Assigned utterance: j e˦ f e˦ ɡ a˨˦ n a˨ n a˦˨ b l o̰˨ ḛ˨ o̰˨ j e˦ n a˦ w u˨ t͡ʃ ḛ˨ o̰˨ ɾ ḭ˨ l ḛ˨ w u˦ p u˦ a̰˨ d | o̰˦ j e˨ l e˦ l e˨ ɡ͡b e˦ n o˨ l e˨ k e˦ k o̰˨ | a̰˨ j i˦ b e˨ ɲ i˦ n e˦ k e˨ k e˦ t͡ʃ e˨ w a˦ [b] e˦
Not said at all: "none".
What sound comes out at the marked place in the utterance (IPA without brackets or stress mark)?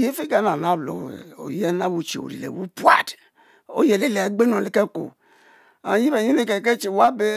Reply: b